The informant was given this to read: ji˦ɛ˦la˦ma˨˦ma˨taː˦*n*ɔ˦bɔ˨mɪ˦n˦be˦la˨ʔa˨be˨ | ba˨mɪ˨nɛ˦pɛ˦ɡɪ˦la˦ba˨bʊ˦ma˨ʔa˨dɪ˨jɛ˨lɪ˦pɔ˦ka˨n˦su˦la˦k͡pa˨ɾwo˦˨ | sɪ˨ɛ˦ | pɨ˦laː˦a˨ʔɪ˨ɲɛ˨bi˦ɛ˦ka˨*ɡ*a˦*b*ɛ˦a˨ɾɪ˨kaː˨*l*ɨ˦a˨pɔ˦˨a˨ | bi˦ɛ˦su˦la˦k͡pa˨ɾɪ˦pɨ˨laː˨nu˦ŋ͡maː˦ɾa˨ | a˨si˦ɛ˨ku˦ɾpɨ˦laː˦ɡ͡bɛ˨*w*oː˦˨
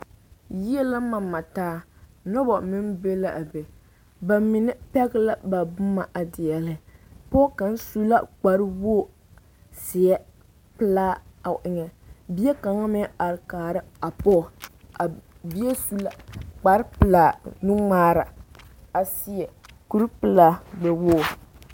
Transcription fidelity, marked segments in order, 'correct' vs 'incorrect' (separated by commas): correct, incorrect, incorrect, incorrect, correct